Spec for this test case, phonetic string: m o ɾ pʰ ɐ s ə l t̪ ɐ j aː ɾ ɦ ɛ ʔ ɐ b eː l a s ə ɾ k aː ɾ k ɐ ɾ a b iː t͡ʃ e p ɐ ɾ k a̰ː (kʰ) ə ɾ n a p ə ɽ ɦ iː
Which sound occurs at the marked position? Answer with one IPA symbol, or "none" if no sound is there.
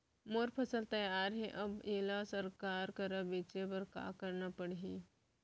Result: k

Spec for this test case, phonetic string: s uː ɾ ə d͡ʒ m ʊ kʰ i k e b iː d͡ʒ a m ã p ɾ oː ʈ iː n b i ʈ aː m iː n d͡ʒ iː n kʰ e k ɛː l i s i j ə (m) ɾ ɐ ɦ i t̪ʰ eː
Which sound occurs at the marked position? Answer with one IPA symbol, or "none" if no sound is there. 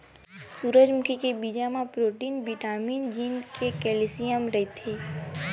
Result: m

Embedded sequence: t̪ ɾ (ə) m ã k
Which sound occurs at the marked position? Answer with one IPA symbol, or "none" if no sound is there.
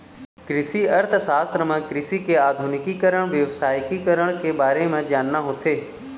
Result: ə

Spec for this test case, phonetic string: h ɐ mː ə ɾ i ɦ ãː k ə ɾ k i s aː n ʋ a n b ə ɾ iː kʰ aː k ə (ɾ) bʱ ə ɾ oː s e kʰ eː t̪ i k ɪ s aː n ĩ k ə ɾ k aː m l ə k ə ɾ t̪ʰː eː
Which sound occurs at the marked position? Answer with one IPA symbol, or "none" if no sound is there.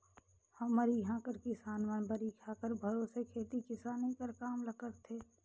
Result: ɾ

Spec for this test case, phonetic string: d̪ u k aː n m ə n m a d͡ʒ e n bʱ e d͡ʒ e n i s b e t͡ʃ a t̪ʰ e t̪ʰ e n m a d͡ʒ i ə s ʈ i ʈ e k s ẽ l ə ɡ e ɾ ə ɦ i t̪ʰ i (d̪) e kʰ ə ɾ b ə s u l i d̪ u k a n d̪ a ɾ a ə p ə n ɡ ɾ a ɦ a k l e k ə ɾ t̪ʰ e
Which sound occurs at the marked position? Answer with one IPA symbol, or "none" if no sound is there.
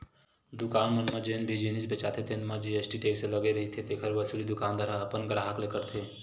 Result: t̪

